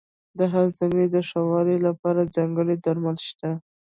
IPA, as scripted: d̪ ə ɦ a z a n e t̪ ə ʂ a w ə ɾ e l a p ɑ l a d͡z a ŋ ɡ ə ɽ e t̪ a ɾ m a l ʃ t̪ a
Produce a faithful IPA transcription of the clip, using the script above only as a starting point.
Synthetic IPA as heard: d̪ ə ɦ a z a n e d̪ ə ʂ a w ɑ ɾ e l a p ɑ ɾ a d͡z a ŋ ɡ ə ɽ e d̪ a ɾ m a l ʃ t̪ a

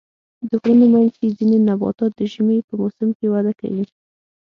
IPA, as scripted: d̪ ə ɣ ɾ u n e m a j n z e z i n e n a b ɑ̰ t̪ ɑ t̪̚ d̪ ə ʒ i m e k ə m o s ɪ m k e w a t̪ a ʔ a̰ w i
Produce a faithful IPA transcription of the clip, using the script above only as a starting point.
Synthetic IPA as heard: d̪ ə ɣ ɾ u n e m a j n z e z i n e n a b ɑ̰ t̪ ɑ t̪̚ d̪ ə ʒ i m e p ə m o s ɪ m k e w a d̪ a k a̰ w i

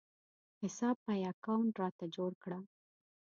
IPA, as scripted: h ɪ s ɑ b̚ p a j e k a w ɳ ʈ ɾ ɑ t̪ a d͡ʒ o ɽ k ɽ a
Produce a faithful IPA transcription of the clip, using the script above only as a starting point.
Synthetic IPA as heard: h ɪ s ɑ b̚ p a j a k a w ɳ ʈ ɾ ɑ t̪ a d͡ʒ o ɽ k ɽ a

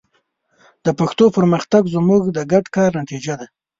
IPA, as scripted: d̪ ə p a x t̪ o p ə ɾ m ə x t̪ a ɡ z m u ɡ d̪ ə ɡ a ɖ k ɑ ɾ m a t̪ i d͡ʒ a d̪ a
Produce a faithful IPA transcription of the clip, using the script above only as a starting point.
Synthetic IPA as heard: d̪ ə p a x t̪ o p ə ɾ m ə x t̪ a ɡ z m u ɡ d̪ ə ɡ a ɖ k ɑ ɾ n a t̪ i d͡ʒ a d̪ a

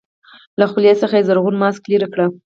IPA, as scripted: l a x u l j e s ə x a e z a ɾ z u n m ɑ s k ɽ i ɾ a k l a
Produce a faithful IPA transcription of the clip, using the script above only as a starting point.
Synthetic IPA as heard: l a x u l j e s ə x a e z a ɾ ɣ u n m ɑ s k l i ɾ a k ɽ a

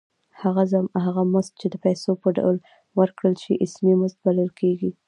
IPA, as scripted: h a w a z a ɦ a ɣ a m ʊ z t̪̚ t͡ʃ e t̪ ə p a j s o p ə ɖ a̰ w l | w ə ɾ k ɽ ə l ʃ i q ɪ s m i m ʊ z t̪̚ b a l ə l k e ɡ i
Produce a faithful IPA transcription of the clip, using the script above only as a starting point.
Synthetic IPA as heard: h a ɣ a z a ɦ a ɣ a m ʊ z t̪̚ t͡ʃ e d̪ ə p a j s o p ə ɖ a̰ w l | w ə ɾ k ɽ ə l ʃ i ʔ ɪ s m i m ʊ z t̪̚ b a l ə l k e ɡ i

